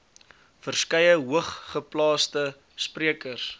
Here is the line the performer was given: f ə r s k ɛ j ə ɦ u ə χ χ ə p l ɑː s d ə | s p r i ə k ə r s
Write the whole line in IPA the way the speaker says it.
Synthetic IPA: f ə r s k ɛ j ə ɦ u ə χ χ ə p l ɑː s t ə | s p r i ə k ə r s

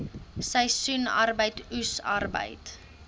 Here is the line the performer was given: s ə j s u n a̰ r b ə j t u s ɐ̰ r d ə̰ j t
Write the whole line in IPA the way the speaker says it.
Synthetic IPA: s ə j s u n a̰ r b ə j t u s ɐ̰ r b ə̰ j t

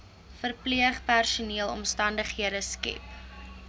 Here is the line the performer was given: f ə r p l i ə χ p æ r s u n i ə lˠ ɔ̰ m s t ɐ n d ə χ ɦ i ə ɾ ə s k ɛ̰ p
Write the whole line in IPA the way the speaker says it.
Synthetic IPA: f ə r p l i ə χ p æ r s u n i ə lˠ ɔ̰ m s t ɐ n d ə χ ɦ i ə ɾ ə s k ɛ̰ p

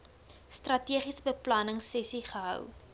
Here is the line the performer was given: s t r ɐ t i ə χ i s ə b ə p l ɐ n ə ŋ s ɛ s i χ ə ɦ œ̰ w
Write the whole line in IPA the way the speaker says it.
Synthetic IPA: s t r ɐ t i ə χ i s ə b ə p l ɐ n ə ŋ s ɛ s i χ ə ɦ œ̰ w

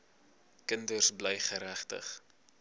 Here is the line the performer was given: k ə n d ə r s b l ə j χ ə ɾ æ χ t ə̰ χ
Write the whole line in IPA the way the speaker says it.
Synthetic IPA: k ə n d ə r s b l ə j χ ə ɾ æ χ t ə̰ χ

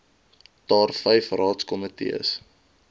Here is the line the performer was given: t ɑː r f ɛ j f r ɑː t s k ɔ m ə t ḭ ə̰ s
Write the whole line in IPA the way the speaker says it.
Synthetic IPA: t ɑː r f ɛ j f r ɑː t s k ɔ m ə t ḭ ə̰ s

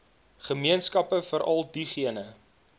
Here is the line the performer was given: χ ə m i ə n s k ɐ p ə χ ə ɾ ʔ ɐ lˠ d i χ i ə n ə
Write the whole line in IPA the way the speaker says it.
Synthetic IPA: χ ə m i ə n s k ɐ p ə f ə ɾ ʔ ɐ lˠ d i χ i ə n ə

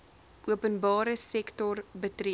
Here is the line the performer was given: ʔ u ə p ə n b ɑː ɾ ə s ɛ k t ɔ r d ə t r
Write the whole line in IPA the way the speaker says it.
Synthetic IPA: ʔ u ə p ə n b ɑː ɾ ə s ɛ k t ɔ r b ə t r

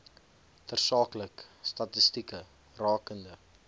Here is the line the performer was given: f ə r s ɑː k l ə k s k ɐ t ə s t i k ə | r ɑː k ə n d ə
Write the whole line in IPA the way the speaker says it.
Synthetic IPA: f ə r s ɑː k l ə k s t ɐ t ə s t i k ə | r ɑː k ə n d ə

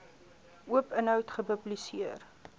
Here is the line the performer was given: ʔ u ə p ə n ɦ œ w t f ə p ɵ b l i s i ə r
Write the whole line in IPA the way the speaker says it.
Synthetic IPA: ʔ u ə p ə n ɦ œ w t χ ə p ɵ b l i s i ə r

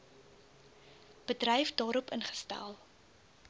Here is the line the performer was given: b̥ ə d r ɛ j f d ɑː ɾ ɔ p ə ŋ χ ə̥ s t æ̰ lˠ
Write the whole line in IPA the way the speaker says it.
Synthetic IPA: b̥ ə d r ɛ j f d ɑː ɾ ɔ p ə n χ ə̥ s t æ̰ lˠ

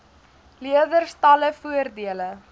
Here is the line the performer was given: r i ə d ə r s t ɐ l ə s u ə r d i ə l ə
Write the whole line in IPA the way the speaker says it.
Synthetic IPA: l i ə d ə r s t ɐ l ə f u ə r d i ə l ə

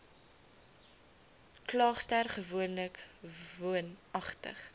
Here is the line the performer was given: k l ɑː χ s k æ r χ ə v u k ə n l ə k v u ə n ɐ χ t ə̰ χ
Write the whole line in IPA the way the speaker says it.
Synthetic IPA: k l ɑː χ s t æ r χ ə v u ə n l ə k v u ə n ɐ χ t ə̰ χ

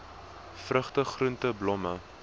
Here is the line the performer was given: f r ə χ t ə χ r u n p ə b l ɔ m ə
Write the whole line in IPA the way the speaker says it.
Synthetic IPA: f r ə χ t ə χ r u n t ə b l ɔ m ə

